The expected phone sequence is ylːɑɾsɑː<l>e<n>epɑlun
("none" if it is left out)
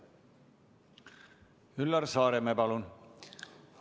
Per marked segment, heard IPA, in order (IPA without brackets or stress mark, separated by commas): ɾ, m